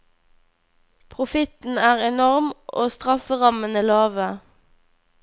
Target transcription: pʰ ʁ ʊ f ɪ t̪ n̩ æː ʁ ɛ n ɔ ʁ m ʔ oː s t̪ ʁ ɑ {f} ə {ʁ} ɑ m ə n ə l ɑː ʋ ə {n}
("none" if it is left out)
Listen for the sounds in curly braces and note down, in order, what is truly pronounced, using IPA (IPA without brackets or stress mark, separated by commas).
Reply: f, ʁ, none